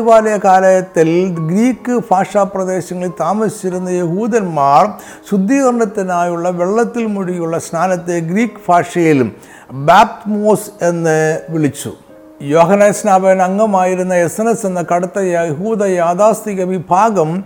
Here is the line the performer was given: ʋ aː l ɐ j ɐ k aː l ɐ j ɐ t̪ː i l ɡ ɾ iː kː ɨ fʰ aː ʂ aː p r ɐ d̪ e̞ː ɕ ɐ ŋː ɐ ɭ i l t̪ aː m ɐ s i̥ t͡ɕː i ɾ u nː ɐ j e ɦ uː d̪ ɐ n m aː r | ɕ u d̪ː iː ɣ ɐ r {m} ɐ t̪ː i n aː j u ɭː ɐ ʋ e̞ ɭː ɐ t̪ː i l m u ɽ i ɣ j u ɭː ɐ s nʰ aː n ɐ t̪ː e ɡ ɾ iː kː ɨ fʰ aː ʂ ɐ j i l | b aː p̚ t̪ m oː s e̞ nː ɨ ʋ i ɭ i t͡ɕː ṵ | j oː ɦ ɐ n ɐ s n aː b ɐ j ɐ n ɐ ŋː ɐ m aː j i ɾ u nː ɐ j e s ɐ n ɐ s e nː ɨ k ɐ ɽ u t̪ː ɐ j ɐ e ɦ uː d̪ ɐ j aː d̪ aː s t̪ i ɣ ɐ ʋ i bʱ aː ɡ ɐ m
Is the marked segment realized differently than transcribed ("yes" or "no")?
yes